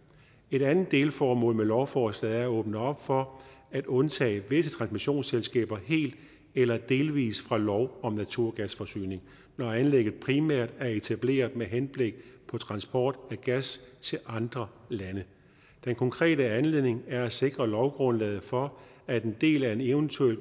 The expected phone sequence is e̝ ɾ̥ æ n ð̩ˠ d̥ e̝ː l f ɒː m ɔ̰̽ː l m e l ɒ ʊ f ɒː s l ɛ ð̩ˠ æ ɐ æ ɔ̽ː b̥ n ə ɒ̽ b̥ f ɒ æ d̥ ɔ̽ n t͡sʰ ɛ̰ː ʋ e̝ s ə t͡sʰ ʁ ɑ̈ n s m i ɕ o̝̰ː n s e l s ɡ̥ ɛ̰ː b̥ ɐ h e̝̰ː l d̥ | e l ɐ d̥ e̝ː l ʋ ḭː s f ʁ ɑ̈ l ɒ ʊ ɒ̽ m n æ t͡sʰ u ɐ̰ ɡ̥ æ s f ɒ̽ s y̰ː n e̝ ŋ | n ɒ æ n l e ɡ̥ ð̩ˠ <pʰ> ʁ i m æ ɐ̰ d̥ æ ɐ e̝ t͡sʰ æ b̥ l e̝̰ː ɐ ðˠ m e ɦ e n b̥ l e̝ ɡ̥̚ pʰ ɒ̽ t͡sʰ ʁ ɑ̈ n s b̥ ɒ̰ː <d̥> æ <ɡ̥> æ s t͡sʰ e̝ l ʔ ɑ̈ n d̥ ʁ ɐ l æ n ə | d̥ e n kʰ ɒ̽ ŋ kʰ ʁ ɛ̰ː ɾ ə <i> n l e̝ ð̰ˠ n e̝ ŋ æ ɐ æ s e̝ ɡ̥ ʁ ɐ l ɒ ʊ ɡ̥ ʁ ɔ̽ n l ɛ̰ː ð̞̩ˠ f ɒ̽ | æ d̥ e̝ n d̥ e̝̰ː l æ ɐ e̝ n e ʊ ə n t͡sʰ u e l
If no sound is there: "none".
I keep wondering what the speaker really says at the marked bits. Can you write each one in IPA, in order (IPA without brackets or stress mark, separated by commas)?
pʰ, d̥, ɡ̥, æ